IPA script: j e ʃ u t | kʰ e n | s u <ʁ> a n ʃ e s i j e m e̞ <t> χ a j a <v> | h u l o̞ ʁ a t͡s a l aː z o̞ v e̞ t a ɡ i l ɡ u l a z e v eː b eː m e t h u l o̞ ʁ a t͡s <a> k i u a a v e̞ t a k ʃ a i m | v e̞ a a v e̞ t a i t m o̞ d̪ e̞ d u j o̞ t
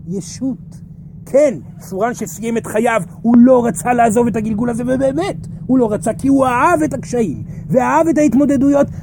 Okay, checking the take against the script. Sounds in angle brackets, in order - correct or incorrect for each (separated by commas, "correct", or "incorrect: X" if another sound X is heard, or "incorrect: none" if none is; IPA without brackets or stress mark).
correct, correct, correct, correct